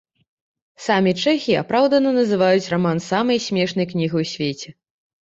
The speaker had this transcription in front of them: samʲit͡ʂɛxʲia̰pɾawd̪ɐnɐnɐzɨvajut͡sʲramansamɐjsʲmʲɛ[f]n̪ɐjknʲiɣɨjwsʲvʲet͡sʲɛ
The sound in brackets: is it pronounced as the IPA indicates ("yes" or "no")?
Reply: no